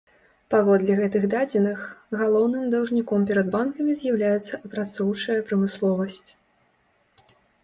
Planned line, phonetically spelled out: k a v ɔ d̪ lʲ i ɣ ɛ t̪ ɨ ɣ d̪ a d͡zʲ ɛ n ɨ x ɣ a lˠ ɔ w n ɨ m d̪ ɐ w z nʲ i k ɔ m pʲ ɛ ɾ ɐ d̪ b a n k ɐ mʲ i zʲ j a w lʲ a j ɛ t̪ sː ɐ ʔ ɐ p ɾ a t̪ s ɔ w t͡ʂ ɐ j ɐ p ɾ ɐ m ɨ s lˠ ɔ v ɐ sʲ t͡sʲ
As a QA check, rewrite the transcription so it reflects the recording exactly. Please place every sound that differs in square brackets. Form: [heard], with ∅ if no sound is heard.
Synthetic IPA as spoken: [p] a v ɔ d̪ lʲ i ɣ ɛ t̪ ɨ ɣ d̪ a d͡zʲ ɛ n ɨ x ɣ a lˠ ɔ w n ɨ m d̪ ɐ w [ʐ] nʲ i k ɔ m pʲ ɛ ɾ ɐ d̪ b a n k ɐ mʲ i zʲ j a w lʲ a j ɛ t̪ sː ɐ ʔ ɐ p ɾ a t̪ s ɔ w t͡ʂ ɐ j ɐ p ɾ ɐ m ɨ s lˠ ɔ v ɐ sʲ t͡sʲ